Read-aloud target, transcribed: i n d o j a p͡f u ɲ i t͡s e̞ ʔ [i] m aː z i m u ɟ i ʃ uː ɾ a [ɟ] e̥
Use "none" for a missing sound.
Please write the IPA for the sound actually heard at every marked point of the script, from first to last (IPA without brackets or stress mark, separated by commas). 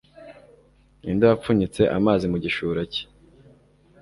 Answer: a, c